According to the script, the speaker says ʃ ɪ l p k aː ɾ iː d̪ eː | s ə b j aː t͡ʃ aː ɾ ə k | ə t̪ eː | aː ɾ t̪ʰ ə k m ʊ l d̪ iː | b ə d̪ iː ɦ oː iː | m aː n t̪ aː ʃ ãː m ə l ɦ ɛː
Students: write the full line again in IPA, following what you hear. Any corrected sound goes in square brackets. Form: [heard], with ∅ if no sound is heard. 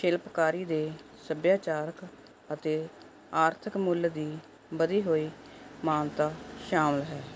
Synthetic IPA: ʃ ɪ l p k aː ɾ iː d̪ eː | s ə b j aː t͡ʃ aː ɾ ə k | ə t̪ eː | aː ɾ t̪ʰ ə k m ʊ l d̪ iː | b ə d̪ iː ɦ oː iː | m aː n t̪ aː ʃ [aː] m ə l ɦ ɛː